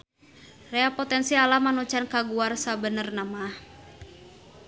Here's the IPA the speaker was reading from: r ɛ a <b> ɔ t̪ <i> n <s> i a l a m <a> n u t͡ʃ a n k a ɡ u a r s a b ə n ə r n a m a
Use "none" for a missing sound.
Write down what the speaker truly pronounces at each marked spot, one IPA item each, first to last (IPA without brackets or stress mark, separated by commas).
p, ɛ, s, a